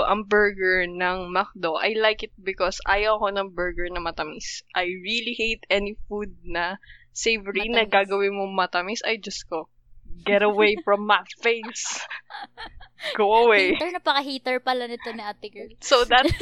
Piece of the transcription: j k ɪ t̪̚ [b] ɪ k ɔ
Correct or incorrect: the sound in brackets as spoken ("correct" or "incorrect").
correct